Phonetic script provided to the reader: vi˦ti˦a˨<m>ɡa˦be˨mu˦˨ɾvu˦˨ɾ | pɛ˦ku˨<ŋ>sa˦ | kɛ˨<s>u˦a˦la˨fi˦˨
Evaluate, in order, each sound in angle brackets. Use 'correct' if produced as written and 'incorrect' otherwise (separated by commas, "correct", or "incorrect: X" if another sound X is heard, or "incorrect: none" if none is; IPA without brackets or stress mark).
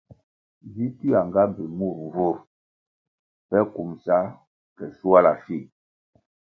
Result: incorrect: ŋ, incorrect: m, correct